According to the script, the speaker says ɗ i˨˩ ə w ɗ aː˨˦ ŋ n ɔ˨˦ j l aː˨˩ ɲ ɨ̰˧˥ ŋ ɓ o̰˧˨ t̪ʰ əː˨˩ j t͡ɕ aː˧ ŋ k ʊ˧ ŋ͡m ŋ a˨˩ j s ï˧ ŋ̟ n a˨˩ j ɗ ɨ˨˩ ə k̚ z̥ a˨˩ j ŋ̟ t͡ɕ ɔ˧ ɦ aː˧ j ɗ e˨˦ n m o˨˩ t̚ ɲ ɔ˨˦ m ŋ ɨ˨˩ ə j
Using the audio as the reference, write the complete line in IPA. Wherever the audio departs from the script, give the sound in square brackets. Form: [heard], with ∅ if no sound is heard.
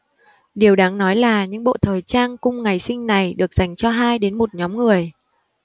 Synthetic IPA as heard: ɗ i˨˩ ə w ɗ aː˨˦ ŋ n ɔ˨˦ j l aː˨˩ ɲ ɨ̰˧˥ ŋ ɓ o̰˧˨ t̪ʰ əː˨˩ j t͡ɕ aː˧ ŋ k ʊ˧ ŋ͡m ŋ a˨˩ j s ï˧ ŋ̟ n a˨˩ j ɗ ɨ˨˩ ə k̚ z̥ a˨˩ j ŋ̟ t͡ɕ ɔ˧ ɦ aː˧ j ɗ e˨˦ n m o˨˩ t̚ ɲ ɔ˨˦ m ŋ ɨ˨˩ ə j